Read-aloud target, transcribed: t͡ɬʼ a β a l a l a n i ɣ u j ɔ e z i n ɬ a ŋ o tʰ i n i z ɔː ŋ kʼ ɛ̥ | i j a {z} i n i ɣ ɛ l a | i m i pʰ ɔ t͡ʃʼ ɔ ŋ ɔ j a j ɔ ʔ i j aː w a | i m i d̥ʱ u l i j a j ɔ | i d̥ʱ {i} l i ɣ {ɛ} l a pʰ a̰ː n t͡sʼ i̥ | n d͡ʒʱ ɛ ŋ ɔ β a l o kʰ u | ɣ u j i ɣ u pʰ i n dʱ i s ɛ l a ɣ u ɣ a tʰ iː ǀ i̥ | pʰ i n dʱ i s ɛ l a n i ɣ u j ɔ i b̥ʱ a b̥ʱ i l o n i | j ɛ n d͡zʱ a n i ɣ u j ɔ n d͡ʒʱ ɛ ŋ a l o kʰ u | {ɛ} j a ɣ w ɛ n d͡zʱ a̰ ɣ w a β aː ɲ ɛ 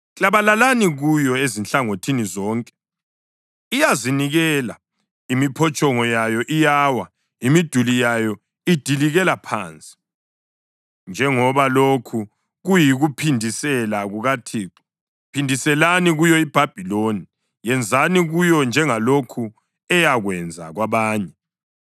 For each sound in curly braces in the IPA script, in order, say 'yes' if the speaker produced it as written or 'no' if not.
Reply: yes, yes, yes, yes

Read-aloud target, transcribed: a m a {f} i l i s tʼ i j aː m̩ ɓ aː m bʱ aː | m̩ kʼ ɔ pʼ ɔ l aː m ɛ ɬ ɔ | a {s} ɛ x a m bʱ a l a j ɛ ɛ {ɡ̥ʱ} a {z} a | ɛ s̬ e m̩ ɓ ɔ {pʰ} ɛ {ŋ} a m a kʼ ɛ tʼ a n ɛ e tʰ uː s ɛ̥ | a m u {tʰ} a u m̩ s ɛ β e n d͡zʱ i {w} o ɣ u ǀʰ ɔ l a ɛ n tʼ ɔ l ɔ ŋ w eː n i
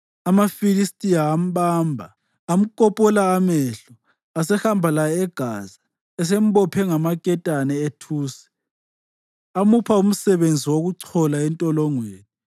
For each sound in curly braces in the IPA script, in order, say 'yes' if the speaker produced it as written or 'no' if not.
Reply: yes, yes, yes, yes, yes, yes, no, yes

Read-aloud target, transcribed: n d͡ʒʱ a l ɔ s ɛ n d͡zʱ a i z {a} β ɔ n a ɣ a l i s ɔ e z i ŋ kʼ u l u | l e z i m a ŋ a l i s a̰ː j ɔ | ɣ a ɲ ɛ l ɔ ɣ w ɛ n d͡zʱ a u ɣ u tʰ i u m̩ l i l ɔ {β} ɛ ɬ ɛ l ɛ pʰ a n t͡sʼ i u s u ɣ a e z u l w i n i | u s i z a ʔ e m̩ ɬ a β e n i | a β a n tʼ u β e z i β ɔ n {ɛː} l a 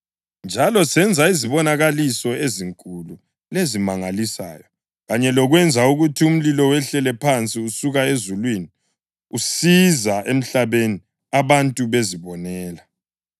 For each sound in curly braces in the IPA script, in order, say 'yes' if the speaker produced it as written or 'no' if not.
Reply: no, no, yes

